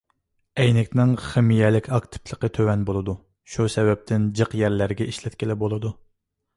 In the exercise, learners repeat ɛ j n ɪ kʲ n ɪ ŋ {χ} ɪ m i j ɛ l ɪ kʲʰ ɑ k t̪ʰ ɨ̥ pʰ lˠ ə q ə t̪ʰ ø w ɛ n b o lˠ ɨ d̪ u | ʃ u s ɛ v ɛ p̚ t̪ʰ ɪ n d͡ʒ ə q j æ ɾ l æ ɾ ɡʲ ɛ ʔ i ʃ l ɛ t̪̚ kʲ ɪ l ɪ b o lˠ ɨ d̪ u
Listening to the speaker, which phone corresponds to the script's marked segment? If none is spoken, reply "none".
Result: χ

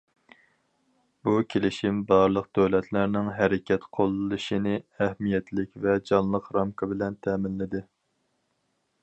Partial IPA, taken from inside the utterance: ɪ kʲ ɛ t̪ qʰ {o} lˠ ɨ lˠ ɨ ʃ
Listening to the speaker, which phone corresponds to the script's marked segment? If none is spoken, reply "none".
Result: o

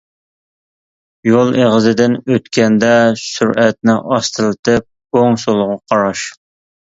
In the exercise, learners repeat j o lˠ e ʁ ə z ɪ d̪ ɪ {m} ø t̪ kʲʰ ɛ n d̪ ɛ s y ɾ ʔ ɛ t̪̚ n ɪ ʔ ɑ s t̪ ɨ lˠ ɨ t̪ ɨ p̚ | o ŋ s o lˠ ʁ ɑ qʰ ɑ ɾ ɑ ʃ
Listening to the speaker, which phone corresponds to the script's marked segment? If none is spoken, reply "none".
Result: n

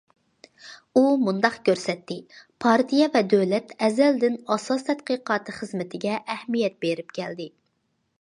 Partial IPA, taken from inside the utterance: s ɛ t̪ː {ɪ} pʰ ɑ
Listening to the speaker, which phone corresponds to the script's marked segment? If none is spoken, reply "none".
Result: ɪ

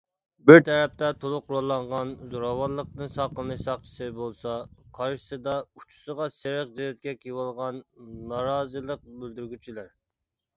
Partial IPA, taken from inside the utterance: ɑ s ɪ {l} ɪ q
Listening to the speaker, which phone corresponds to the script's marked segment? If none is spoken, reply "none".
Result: ɾ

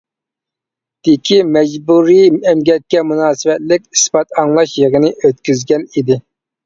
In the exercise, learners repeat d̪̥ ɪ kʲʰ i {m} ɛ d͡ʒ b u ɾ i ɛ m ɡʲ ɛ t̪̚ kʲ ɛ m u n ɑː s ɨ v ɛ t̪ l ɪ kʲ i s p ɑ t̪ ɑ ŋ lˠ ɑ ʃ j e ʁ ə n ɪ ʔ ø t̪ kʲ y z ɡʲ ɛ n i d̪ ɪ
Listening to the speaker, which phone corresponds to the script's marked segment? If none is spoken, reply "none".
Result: m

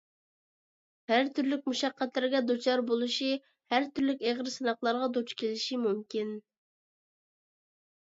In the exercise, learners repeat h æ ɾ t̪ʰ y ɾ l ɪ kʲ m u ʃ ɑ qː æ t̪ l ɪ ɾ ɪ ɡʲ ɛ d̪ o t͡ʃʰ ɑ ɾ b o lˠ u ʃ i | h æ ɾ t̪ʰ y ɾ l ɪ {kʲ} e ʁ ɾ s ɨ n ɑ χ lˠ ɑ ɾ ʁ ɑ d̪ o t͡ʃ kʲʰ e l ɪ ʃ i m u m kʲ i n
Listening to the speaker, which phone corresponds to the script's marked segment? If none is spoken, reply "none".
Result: kʲ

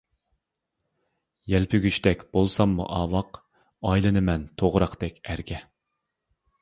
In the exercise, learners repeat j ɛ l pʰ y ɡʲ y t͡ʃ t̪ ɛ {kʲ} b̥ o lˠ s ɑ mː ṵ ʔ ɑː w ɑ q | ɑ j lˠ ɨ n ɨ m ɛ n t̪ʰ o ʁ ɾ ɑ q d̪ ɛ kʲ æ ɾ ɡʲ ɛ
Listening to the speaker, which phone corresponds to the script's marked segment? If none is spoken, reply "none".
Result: kʲ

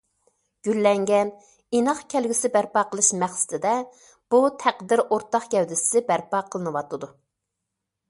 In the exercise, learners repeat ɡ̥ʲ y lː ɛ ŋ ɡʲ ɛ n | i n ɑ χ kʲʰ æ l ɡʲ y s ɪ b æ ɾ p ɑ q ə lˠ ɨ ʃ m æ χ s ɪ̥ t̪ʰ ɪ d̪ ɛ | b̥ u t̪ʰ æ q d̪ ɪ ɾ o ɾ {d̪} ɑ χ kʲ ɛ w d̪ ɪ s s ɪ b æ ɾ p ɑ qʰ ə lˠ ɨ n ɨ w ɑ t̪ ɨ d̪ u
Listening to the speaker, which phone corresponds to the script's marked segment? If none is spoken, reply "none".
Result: t̪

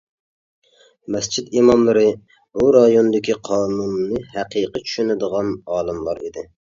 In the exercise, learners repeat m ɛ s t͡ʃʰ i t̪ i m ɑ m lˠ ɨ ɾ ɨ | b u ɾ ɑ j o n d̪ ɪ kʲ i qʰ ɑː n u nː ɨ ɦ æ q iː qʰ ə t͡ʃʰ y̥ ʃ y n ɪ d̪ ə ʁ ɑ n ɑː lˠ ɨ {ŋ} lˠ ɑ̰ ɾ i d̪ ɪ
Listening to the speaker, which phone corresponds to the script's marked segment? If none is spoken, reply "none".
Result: m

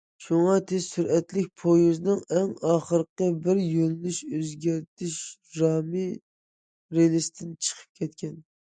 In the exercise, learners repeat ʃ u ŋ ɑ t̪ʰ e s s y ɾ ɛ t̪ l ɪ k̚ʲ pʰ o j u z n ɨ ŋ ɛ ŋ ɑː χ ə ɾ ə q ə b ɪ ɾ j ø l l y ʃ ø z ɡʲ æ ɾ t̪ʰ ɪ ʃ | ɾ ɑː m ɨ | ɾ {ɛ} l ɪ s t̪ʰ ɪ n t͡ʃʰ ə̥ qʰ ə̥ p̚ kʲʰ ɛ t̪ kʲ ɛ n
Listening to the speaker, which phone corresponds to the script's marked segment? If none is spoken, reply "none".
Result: e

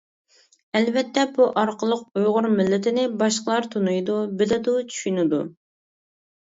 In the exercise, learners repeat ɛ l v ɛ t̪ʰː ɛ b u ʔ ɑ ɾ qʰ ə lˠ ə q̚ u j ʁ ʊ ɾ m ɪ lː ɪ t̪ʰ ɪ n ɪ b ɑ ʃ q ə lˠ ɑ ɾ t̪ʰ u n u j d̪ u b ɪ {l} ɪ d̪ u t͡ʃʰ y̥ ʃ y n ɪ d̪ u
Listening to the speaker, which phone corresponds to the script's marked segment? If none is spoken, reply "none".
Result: l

